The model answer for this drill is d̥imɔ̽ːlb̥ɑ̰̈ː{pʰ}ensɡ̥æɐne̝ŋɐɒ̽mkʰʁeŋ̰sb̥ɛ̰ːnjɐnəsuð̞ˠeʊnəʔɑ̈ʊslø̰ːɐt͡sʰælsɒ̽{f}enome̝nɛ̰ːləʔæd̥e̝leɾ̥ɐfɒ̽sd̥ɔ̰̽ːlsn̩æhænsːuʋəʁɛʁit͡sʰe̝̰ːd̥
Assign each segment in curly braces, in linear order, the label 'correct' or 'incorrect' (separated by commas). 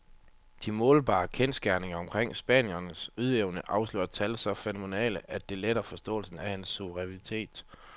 incorrect, correct